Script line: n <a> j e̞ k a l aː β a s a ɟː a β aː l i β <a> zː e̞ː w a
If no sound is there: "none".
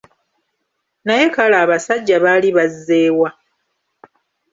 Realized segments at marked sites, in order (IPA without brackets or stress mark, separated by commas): a, a